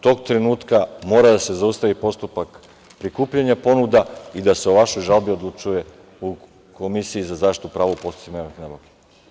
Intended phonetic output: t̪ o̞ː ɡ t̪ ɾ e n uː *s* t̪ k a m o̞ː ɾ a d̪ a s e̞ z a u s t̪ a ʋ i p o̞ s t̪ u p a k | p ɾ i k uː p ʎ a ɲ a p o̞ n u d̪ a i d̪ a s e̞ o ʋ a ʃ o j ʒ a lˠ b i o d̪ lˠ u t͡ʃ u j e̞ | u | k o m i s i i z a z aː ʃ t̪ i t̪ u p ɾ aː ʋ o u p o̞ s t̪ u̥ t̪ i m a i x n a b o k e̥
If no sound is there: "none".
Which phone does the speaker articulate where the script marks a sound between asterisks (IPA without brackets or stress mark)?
none